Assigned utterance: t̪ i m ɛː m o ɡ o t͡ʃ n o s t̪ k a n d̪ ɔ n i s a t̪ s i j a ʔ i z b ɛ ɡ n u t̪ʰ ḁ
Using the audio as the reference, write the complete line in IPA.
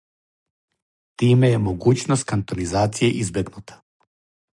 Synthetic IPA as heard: t̪ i m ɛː m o ɡ u t͡ʃ n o s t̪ k a n t̪ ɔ n i z a t̪ s i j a ʔ i z b ɛ ɡ n u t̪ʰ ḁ